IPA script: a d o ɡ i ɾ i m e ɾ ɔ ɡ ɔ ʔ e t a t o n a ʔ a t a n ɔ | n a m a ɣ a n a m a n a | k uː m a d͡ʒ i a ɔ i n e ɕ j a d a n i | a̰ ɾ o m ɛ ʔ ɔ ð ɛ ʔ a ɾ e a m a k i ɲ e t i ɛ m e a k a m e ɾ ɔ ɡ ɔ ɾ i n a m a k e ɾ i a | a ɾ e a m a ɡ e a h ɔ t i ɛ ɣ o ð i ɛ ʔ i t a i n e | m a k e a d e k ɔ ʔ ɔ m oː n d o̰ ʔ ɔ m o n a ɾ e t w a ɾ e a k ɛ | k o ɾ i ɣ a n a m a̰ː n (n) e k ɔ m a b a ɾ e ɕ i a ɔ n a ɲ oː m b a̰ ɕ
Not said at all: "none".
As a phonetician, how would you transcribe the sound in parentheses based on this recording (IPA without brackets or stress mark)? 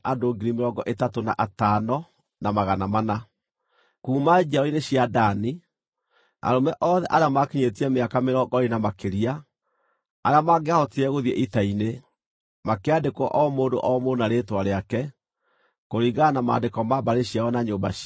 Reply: d